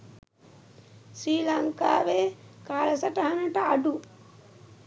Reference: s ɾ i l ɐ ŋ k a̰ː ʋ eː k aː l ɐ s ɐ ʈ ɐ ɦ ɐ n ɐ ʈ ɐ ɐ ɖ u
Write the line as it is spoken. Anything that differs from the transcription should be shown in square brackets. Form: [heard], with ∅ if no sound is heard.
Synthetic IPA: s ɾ [iː] l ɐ ŋ k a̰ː ʋ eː k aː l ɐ s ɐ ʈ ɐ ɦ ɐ n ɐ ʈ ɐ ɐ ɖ u